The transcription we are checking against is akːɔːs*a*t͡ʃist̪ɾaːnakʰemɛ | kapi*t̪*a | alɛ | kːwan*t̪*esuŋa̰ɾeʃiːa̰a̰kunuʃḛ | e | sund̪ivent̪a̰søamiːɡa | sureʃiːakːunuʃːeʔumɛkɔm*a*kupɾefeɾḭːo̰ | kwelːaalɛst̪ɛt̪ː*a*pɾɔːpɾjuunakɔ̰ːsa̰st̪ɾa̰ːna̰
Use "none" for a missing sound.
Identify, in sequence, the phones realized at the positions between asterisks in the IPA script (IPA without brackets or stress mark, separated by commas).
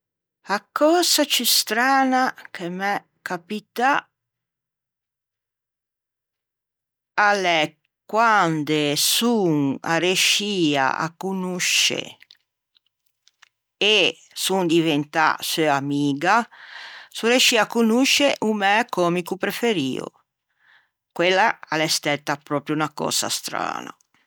a, t̪, d̪, i, a